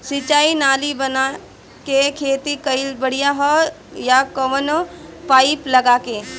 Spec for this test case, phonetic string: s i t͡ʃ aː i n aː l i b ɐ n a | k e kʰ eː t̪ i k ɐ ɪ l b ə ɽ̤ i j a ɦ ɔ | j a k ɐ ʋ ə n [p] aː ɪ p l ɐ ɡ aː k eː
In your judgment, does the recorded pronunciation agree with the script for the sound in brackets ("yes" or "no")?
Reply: yes